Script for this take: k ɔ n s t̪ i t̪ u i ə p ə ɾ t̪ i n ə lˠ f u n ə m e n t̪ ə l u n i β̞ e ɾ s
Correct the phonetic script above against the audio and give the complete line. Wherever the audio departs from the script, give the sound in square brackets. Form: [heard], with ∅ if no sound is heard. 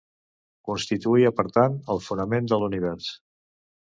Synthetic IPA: k [u] n s t̪ i t̪ u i ə p ə ɾ t̪ [a] n ə lˠ f u n ə m e n [d̪] ə l u n i β̞ [ɛ] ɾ s